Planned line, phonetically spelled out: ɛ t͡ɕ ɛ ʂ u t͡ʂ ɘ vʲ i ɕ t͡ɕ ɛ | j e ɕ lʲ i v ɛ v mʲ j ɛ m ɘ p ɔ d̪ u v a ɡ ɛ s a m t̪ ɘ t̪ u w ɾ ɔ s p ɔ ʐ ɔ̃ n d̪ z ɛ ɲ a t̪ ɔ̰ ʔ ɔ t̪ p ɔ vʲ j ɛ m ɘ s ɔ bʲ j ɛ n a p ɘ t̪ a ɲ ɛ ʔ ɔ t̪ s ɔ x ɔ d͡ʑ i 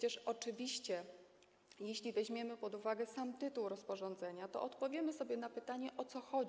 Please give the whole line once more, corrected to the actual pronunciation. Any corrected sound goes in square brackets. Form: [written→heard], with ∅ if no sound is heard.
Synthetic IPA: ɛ t͡ɕ ɛ ʂ [u→ɔ] t͡ʂ ɘ vʲ i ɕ t͡ɕ ɛ | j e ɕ lʲ i v ɛ [v→ʑ] mʲ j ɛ m ɘ p ɔ d̪ u v a ɡ ɛ s a m t̪ ɘ t̪ u w ɾ ɔ s p ɔ ʐ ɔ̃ n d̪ z ɛ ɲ a t̪ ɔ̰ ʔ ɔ t̪ p ɔ vʲ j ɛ m ɘ s ɔ bʲ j ɛ n a p ɘ t̪ a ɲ ɛ ʔ ɔ t̪ s ɔ x ɔ d͡ʑ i